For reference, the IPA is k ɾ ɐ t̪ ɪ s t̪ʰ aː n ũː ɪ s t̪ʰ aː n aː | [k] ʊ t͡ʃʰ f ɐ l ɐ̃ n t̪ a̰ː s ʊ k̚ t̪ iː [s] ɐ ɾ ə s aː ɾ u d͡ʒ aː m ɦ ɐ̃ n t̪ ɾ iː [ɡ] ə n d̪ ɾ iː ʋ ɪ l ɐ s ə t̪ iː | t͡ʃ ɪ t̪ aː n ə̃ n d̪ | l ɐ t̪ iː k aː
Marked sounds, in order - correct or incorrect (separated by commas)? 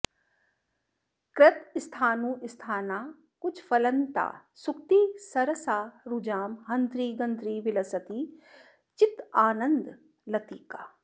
correct, correct, correct